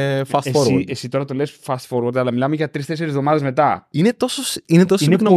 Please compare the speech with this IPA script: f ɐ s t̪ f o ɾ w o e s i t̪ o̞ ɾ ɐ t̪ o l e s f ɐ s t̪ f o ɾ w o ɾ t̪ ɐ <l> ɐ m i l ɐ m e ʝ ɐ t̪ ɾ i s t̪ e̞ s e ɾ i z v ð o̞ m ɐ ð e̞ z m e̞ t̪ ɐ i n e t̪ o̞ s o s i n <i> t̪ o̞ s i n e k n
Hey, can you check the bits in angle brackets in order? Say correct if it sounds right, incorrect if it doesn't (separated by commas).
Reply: correct, incorrect